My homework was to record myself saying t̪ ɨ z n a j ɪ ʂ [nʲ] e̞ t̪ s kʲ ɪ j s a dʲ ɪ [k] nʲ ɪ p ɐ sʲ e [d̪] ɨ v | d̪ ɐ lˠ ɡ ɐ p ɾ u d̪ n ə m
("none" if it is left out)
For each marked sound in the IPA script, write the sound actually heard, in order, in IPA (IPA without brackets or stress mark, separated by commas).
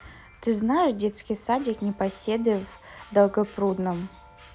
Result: dʲ, k, d̪